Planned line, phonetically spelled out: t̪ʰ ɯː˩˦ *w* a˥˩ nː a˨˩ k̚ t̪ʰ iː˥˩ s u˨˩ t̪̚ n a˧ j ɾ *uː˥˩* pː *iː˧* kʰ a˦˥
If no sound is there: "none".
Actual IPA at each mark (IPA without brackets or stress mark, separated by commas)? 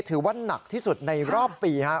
w, ɔː˥˩, iː˧